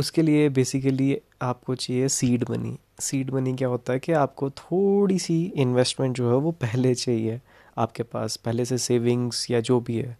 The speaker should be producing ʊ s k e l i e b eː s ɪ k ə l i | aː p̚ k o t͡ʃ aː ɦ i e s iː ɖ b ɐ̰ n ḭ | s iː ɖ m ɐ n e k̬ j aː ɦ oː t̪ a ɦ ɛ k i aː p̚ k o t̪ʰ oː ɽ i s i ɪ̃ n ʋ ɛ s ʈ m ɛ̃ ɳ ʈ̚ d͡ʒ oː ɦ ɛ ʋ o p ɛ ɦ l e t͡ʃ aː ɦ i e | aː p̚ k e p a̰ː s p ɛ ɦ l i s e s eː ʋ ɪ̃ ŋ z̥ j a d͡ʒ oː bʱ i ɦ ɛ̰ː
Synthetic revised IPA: ʊ s k e l i e b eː s ɪ k ə l i | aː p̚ k o t͡ʃ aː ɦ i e s iː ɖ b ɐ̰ n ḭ | s iː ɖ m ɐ n i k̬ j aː ɦ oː t̪ a ɦ ɛ k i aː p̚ k o t̪ʰ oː ɽ i s i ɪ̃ n ʋ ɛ s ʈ m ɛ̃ ɳ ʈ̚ d͡ʒ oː ɦ ɛ ʋ o p ɛ ɦ l e t͡ʃ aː ɦ i e | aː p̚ k e p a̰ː s p ɛ ɦ l e s e s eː ʋ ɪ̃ ŋ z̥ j a d͡ʒ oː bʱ i ɦ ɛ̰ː